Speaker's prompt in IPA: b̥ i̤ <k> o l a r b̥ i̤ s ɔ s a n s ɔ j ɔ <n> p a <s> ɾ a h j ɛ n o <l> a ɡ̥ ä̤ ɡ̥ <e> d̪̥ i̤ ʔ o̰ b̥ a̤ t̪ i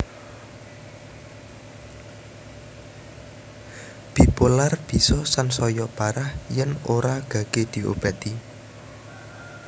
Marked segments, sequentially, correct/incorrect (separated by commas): incorrect, incorrect, incorrect, incorrect, correct